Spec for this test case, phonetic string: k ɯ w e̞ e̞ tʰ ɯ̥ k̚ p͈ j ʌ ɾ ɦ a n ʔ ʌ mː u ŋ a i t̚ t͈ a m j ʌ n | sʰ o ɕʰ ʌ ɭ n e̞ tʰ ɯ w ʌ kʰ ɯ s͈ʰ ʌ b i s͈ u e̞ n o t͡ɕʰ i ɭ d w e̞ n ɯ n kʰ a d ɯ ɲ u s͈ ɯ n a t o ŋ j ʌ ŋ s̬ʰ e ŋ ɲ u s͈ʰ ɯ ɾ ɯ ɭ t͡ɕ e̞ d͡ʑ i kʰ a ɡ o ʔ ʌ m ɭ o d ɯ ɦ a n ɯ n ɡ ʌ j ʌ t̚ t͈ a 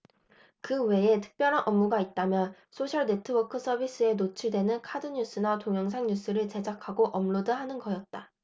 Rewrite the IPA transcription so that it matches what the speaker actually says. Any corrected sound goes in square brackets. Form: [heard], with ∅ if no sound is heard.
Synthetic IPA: k ɯ w e̞ e̞ tʰ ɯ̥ k̚ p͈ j ʌ ɾ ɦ a n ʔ ʌ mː u [ɡ] a i t̚ t͈ a m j ʌ n | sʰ o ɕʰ ʌ ɭ n e̞ tʰ ɯ w ʌ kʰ ɯ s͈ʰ ʌ b i s͈ [ɯ] e̞ n o t͡ɕʰ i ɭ d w e̞ n ɯ n kʰ a d ɯ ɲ u s͈ ɯ n a t o ŋ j ʌ ŋ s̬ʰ [a] ŋ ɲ u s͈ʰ ɯ ɾ ɯ ɭ t͡ɕ e̞ d͡ʑ [a] kʰ a ɡ o ʔ ʌ m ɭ o d ɯ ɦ a n ɯ n ɡ ʌ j ʌ t̚ t͈ a